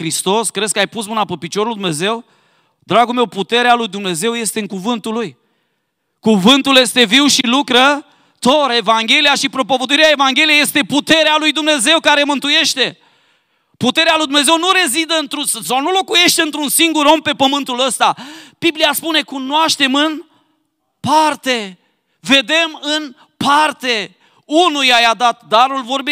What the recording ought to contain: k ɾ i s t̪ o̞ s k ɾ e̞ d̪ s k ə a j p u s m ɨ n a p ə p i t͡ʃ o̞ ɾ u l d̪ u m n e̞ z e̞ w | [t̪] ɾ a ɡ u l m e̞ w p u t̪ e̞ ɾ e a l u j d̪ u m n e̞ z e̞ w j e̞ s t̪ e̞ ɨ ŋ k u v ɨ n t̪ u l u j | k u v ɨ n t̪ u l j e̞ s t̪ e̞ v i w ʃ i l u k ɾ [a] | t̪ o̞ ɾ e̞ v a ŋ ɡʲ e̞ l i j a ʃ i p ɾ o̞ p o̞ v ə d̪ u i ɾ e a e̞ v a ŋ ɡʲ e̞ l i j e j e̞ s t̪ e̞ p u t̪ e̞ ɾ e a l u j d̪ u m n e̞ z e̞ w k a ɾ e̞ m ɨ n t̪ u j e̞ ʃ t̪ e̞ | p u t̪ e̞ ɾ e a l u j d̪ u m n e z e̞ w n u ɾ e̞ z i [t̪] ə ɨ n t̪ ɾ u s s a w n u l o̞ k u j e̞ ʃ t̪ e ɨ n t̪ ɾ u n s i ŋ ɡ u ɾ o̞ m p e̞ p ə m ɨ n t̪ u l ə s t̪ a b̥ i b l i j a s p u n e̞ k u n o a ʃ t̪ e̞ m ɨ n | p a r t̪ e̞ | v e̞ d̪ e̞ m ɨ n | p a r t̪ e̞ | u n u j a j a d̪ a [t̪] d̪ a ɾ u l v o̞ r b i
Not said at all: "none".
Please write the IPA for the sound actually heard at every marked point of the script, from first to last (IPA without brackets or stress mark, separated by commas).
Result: d̪, ə, d̪, t̪